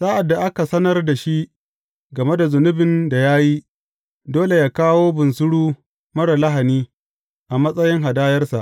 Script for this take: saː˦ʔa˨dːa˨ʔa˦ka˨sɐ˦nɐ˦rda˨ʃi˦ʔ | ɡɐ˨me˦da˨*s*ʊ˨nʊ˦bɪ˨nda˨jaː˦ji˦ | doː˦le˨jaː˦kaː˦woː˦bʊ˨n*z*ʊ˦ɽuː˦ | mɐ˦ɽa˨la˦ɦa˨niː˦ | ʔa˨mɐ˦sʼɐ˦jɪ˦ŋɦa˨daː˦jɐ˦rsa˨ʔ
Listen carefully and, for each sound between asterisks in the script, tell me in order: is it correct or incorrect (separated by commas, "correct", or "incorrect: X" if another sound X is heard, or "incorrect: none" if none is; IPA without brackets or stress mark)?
incorrect: z, incorrect: s